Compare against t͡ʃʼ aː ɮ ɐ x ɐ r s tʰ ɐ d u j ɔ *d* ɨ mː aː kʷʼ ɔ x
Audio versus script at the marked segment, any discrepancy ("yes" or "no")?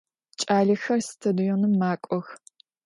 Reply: yes